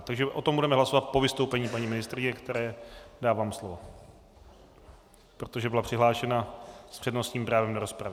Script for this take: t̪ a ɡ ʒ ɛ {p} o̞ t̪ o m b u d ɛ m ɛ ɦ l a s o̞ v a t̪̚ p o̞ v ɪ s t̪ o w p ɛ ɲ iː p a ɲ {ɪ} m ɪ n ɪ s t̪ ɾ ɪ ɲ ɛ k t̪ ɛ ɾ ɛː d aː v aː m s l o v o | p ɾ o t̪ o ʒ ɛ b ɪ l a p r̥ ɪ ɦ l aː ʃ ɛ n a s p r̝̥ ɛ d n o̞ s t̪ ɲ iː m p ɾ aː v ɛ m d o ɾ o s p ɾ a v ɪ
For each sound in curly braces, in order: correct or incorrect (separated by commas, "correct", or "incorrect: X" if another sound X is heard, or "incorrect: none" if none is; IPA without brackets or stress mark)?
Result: incorrect: ʔ, incorrect: i